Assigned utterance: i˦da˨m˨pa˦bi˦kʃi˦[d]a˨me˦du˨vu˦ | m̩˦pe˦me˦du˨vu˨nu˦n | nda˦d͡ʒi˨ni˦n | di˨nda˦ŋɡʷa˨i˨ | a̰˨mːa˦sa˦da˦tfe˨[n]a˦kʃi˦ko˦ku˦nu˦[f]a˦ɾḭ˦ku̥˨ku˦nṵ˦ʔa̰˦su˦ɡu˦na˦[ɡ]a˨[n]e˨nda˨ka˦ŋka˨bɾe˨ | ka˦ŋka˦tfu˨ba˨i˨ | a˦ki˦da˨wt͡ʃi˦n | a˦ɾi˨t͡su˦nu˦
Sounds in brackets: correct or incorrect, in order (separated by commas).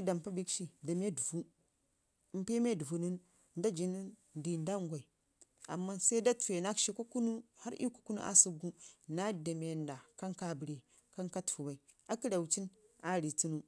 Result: correct, correct, incorrect, incorrect, incorrect